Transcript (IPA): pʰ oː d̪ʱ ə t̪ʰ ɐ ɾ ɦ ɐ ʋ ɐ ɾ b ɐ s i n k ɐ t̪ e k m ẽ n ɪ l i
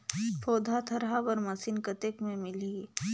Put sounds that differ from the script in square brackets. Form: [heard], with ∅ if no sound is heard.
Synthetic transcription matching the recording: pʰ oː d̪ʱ [a] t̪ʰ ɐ ɾ ɦ [a] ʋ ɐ ɾ [m] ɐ s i n k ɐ t̪ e k m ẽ [m] ɪ l i